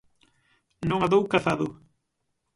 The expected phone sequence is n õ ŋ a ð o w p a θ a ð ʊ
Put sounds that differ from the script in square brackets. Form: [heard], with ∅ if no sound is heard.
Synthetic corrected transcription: n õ ŋ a ð o w [k] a θ a ð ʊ

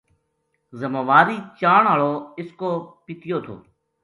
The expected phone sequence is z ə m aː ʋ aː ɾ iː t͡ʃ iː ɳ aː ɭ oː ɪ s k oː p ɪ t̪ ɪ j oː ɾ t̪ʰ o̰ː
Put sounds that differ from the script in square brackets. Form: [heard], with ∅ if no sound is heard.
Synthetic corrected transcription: z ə m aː ʋ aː ɾ iː t͡ʃ [aː] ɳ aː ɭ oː ɪ s k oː p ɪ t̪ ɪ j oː [∅] t̪ʰ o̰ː

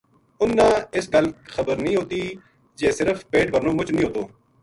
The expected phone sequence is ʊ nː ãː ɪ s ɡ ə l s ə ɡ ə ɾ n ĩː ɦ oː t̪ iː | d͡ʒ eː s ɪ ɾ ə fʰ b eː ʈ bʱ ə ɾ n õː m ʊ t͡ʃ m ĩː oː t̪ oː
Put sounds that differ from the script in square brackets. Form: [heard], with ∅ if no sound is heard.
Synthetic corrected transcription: ʊ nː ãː ɪ s ɡ ə l [x] ə [b] ə ɾ n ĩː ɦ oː t̪ iː | d͡ʒ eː s ɪ ɾ ə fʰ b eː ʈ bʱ ə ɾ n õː m ʊ t͡ʃ [n] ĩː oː t̪ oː

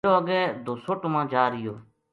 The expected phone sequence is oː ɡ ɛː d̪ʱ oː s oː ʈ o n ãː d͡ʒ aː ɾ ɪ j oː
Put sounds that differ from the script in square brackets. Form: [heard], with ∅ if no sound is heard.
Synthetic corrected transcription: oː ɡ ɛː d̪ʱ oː s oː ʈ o [m] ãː d͡ʒ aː ɾ ɪ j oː

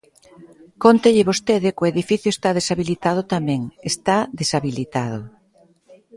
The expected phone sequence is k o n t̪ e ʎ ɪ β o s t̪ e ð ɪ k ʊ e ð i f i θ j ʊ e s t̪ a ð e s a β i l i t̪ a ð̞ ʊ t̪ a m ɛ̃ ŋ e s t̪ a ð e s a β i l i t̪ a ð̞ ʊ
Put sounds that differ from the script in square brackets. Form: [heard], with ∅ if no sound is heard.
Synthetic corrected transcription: k o n t̪ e ʎ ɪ β o s t̪ e ð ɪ k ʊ e ð i f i θ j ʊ e s t̪ a ð e s a β i l i t̪ a ð̞ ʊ t̪ a m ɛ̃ ŋ e s t̪ a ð e s a β i l i t̪ a ð̞ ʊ

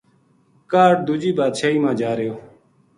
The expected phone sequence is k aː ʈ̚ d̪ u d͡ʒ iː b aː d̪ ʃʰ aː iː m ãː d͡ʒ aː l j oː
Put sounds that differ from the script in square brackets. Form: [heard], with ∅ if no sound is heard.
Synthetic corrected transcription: k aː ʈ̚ d̪ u d͡ʒ iː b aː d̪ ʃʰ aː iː m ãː d͡ʒ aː [ɾ] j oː

